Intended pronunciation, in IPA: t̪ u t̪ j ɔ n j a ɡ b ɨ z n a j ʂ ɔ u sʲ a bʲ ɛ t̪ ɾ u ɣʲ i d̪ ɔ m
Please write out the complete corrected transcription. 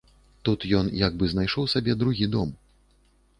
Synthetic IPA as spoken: t̪ u t̪ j ɔ n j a ɡ b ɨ z n a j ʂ ɔ w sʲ a bʲ ɛ d̪ ɾ u ɣʲ i d̪ ɔ m